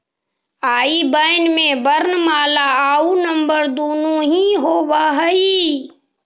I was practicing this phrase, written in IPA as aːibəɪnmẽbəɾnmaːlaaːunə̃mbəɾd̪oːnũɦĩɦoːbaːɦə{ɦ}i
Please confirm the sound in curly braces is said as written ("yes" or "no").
no